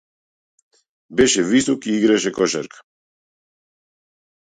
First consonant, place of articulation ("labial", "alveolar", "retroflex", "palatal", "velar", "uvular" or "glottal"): labial